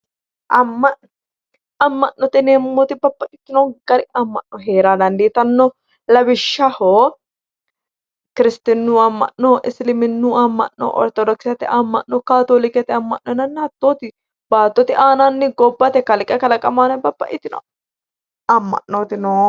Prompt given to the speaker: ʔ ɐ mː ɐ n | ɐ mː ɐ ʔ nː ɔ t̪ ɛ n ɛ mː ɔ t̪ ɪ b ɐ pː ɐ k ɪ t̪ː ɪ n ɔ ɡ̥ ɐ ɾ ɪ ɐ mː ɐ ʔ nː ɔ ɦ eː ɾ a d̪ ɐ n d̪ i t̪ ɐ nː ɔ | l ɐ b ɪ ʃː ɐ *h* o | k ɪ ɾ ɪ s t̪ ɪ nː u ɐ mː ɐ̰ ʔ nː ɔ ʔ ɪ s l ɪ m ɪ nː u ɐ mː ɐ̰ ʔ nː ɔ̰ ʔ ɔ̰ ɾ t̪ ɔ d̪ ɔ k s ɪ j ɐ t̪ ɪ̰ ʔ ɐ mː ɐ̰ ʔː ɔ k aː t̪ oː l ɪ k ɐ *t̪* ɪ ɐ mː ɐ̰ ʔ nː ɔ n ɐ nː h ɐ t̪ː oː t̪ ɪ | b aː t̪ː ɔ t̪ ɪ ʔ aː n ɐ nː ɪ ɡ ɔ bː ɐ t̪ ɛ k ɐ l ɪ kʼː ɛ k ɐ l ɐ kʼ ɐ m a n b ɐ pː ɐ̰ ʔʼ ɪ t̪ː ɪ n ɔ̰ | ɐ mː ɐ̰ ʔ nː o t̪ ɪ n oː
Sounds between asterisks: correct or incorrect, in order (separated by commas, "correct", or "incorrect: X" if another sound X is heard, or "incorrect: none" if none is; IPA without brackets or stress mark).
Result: correct, correct